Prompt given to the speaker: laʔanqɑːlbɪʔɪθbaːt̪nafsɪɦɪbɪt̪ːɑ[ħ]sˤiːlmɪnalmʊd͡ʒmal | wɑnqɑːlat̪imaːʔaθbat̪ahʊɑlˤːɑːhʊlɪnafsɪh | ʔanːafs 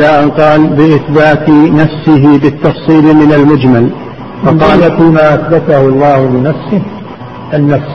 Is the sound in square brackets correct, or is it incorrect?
incorrect